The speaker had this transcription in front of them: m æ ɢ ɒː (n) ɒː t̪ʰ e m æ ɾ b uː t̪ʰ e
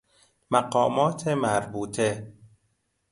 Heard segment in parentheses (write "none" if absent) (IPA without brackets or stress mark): m